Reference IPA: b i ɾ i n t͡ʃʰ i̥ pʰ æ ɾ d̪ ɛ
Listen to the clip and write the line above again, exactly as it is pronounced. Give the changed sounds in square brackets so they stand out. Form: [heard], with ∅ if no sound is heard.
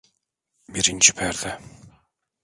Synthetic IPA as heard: b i ɾ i n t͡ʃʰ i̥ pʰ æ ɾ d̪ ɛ